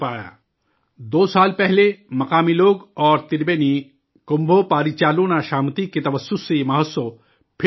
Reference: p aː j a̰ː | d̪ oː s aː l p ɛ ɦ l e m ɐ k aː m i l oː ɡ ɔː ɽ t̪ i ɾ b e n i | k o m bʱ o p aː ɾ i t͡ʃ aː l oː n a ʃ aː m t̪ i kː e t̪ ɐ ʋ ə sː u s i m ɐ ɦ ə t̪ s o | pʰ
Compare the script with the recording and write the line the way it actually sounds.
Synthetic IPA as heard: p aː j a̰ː | d̪ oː s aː l p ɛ ɦ l e m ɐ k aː m i l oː ɡ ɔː ɾ t̪ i ɾ b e n i | k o m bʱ o p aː ɾ i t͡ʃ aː l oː n a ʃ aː m t̪ i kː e t̪ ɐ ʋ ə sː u s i m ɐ ɦ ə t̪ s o | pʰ